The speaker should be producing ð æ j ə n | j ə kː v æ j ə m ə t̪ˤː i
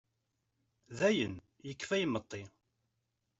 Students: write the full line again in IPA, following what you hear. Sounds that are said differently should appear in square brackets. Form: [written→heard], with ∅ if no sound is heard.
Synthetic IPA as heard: ð æ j ə n | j ə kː [v→f] æ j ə m ə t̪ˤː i